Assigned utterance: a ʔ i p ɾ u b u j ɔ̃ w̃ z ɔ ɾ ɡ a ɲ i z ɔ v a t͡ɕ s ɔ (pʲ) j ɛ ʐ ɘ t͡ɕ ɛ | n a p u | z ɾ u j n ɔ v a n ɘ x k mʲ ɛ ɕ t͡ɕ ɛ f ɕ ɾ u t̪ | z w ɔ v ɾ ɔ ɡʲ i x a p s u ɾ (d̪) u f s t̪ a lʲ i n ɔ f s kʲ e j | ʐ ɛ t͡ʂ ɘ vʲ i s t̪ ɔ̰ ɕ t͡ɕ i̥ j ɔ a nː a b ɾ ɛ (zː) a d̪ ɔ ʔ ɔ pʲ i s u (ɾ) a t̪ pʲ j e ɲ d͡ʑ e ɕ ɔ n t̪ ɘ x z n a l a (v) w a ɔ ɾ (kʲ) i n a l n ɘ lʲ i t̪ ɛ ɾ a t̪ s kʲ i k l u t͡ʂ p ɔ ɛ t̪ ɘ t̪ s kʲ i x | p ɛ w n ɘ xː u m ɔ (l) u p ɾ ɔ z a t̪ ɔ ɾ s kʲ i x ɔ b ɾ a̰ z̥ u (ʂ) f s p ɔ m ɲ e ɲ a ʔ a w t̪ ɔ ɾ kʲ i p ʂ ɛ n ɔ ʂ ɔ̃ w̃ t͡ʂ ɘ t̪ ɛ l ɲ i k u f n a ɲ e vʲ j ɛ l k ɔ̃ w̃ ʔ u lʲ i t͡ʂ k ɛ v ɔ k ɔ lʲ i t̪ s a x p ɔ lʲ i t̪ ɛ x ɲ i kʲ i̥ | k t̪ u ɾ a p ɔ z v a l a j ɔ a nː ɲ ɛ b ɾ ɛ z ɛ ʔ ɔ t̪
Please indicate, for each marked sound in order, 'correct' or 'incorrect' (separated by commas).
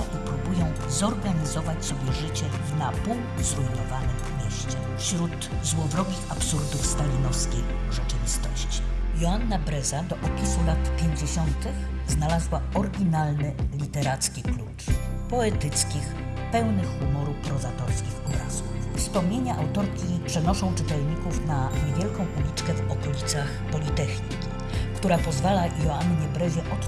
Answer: incorrect, correct, incorrect, incorrect, incorrect, incorrect, incorrect, incorrect